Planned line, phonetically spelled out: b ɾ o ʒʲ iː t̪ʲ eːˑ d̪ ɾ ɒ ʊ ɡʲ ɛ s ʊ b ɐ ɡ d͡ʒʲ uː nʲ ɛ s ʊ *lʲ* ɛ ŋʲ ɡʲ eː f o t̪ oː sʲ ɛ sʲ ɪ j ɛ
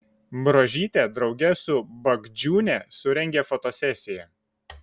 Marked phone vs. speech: incorrect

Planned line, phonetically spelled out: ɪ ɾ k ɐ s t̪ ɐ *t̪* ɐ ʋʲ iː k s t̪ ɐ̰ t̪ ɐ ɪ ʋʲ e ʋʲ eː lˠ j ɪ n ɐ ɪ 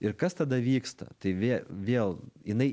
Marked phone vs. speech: incorrect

